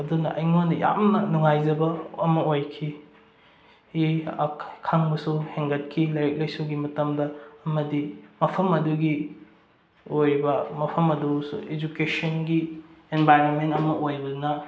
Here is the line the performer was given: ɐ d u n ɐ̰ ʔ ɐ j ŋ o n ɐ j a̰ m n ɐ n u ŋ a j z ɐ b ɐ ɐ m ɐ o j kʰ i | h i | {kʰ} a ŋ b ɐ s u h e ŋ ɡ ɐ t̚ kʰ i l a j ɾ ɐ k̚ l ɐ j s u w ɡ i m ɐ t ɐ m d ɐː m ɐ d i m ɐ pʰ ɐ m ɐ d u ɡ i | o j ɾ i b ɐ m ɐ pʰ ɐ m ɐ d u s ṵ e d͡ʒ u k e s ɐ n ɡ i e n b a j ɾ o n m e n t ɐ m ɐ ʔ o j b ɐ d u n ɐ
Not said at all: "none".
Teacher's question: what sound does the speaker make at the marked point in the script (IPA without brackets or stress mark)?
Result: kʰ